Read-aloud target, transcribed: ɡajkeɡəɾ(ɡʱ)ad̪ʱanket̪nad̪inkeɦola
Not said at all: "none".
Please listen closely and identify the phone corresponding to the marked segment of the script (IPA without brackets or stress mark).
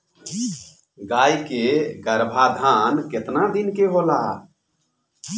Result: bʱ